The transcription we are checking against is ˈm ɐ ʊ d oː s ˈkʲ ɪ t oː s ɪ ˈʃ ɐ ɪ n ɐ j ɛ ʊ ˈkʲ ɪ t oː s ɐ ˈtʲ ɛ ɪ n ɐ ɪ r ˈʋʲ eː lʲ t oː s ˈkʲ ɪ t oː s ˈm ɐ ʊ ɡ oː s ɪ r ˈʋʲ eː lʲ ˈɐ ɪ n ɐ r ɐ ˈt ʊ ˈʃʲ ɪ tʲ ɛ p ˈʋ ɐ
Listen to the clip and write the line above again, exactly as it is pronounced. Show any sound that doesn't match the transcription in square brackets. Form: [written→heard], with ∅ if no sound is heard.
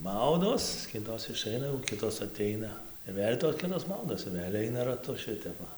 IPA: ˈm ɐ ʊ d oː s ˈkʲ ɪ t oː s ɪ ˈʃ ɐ ɪ n ɐ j ɛ ʊ ˈkʲ ɪ t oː s ɐ ˈtʲ ɛ ɪ n ɐ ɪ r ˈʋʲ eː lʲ t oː s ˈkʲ ɪ t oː s ˈm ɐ ʊ [ɡ→d] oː s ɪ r ˈʋʲ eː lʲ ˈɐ ɪ n ɐ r ɐ ˈt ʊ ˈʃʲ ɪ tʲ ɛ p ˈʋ ɐ